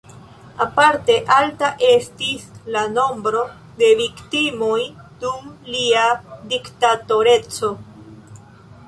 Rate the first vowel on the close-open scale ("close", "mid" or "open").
open